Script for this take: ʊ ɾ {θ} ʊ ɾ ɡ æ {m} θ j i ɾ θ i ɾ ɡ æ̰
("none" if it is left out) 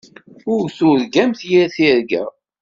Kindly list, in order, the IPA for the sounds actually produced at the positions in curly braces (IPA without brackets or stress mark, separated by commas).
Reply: θ, m